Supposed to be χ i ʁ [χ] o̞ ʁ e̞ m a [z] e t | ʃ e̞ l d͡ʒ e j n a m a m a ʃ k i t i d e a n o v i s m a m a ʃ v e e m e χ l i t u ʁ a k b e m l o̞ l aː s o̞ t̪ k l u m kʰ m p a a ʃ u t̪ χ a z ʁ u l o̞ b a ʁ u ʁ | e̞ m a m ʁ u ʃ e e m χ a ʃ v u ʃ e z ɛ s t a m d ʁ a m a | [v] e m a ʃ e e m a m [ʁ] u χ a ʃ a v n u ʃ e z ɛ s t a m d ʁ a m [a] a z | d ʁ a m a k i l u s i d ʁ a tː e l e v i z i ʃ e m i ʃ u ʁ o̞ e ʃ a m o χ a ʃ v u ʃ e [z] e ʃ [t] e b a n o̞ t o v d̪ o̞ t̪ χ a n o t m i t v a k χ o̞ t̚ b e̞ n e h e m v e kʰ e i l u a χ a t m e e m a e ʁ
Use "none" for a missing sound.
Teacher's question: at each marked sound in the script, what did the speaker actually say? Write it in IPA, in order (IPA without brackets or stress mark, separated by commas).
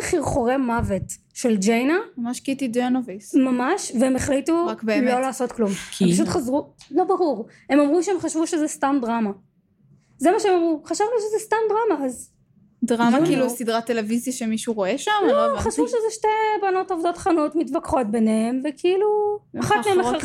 χ, v, z, ʁ, a, z, t